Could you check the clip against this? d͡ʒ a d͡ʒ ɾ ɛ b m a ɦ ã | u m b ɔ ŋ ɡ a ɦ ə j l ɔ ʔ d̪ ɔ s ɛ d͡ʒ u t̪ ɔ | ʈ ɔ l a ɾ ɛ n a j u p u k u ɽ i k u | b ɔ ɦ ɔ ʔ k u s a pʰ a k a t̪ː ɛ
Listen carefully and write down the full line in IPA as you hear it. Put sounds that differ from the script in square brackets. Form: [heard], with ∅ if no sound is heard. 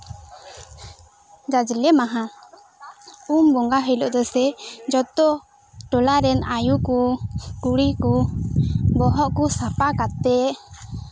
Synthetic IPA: d͡ʒ a d͡ʒ [l] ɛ [∅] m a ɦ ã | u m b ɔ ŋ ɡ a ɦ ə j l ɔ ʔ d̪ ɔ s ɛ d͡ʒ [ɔ] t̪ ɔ | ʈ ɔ l a ɾ ɛ n a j u [k] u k u ɽ i k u | b ɔ ɦ ɔ ʔ k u s a [p] a k a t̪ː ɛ